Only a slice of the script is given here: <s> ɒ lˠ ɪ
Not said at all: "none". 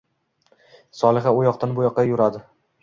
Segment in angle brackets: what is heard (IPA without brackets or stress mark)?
s